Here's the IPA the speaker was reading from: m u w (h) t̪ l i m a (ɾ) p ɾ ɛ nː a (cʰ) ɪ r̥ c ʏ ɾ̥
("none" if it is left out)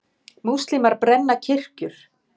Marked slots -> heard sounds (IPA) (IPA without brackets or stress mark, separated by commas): s, ɾ, cʰ